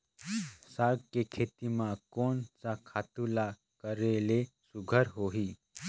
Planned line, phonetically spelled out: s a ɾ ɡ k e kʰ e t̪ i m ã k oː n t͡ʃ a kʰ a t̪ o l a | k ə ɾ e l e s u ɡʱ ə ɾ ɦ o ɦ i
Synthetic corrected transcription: s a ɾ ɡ k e kʰ e t̪ i m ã k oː n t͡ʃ a kʰ a t̪ u l a | k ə ɾ e l e s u ɡʱ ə ɾ ɦ o ɦ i